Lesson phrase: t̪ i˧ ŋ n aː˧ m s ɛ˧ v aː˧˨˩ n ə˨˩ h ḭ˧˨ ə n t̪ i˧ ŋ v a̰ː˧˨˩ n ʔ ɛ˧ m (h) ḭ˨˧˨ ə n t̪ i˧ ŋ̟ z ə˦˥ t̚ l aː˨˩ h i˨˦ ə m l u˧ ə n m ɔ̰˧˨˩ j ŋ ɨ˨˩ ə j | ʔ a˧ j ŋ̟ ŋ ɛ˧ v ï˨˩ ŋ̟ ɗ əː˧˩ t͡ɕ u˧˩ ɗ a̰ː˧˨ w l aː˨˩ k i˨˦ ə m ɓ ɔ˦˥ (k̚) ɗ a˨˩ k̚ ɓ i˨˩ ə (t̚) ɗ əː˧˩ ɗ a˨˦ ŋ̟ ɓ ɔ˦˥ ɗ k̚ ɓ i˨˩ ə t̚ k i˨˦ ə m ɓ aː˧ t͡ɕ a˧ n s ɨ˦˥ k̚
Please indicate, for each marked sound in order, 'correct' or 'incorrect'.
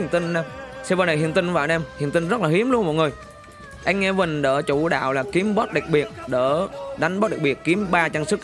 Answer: correct, incorrect, correct

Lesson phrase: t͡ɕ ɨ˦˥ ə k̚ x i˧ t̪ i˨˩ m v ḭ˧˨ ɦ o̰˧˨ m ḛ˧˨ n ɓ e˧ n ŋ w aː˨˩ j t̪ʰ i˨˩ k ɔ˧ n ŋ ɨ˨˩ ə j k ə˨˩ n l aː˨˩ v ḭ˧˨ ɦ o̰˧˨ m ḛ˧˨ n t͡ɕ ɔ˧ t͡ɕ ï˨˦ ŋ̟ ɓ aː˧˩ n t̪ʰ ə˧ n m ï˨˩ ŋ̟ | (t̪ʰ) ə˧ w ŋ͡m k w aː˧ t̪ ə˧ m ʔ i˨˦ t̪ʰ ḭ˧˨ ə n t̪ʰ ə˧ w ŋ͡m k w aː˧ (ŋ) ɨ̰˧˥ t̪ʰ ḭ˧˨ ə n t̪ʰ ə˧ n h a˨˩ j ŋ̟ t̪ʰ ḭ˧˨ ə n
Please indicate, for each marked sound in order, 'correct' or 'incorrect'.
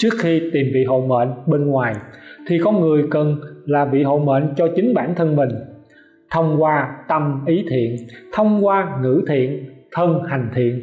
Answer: correct, correct

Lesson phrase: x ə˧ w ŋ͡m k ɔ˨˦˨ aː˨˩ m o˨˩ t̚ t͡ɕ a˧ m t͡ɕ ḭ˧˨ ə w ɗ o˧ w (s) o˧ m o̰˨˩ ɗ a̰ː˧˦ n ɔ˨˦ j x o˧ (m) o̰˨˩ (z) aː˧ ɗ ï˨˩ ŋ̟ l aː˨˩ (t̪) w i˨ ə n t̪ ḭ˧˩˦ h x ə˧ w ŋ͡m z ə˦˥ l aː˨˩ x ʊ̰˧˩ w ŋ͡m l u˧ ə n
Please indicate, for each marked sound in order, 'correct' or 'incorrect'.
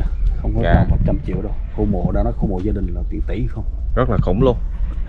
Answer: incorrect, correct, correct, correct

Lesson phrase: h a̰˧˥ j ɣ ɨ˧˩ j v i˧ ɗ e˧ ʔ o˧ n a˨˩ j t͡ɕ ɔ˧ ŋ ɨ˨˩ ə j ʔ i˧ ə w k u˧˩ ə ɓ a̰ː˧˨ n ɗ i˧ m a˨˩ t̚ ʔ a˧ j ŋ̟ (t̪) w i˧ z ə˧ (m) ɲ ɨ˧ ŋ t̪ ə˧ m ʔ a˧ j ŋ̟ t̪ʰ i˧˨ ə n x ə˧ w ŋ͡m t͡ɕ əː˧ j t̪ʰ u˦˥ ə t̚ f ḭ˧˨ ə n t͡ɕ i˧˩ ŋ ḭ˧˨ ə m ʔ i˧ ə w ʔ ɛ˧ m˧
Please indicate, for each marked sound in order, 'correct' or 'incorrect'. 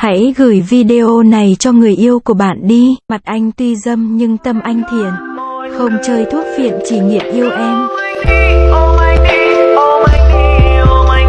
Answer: correct, correct

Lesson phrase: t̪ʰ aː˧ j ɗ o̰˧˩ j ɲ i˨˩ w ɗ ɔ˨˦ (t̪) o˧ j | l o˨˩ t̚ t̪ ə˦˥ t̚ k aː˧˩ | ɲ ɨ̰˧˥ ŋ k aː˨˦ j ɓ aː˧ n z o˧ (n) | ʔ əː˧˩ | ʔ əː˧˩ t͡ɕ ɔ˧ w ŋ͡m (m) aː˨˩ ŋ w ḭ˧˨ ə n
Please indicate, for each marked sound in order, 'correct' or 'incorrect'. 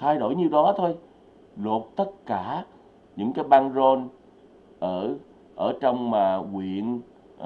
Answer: incorrect, correct, correct

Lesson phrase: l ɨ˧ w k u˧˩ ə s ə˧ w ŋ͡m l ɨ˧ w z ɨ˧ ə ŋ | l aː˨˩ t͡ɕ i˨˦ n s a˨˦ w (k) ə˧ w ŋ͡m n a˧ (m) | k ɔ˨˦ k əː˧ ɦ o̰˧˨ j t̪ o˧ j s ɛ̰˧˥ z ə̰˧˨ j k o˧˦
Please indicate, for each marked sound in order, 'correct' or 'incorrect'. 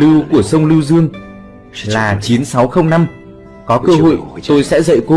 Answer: incorrect, correct

